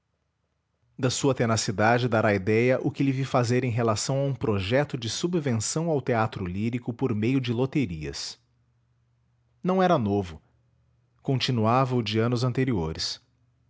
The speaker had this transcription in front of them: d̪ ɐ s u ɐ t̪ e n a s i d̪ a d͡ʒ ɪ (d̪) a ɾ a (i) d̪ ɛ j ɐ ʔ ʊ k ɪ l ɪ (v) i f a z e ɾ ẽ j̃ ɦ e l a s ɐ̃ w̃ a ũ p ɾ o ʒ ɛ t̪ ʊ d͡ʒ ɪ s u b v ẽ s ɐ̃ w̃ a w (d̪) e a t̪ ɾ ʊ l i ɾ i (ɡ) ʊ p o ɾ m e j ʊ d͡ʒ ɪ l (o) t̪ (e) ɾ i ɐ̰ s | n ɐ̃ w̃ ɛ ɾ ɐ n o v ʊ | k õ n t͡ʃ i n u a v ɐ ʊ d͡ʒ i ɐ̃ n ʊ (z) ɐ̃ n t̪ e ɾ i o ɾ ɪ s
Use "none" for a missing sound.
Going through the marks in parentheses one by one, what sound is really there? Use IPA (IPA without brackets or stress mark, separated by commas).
d̪, i, v, t̪, k, o, e, z